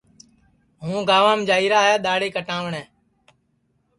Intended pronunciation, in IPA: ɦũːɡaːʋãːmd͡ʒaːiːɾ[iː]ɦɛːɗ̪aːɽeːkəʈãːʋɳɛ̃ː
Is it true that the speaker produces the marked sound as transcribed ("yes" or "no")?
no